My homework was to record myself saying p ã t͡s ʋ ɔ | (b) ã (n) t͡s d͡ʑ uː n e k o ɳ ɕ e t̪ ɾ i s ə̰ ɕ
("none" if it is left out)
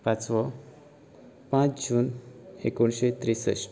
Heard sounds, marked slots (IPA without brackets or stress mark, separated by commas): p, none